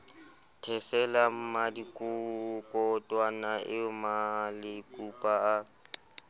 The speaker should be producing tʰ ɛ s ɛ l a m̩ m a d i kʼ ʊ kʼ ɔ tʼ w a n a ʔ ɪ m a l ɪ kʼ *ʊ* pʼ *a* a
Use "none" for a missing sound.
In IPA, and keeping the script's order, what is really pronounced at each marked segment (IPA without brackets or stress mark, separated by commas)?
u, a